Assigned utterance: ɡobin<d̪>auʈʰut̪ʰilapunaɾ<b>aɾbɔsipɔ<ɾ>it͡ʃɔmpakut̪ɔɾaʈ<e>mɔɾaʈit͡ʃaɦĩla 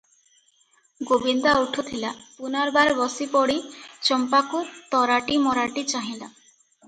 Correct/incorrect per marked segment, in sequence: correct, correct, incorrect, incorrect

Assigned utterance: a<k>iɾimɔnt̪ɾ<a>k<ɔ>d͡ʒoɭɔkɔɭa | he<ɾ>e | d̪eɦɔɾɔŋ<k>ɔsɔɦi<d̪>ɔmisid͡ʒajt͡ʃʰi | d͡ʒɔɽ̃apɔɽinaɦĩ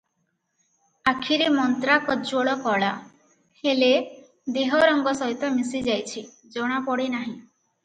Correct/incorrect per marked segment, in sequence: incorrect, correct, correct, incorrect, incorrect, incorrect

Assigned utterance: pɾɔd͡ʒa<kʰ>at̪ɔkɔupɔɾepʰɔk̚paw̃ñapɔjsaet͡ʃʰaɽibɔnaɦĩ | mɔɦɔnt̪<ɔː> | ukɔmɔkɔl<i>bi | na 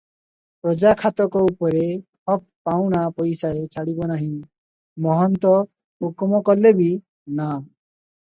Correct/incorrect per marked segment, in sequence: correct, incorrect, incorrect

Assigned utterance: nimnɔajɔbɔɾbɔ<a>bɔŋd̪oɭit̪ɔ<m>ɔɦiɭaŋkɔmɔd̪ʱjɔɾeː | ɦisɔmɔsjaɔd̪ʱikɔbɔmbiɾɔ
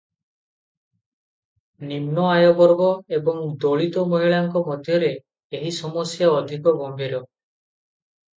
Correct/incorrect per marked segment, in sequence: incorrect, correct

